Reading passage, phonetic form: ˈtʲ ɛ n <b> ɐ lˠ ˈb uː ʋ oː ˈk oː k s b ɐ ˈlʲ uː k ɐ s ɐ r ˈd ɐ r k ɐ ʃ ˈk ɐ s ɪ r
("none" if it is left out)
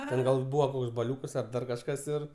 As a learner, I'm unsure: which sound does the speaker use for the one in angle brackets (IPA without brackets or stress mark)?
ɡ